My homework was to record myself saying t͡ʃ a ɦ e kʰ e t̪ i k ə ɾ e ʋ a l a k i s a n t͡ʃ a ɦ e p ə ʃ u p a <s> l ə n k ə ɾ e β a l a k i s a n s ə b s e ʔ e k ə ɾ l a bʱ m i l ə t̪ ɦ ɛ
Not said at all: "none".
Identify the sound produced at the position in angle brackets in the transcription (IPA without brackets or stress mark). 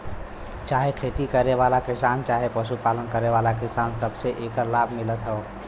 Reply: none